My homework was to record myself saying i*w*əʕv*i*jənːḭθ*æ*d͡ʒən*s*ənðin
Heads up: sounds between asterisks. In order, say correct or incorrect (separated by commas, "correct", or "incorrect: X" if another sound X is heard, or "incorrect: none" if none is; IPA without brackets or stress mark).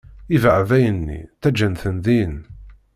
incorrect: v, incorrect: æ, correct, incorrect: θ